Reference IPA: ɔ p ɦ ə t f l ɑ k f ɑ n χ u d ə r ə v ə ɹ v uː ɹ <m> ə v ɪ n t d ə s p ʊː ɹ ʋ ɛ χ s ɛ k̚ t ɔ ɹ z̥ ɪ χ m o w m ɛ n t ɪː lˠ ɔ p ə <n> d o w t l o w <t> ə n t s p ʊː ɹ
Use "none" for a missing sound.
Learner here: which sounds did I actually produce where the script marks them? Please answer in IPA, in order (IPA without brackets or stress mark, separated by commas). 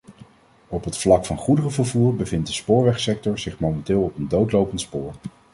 b, n, p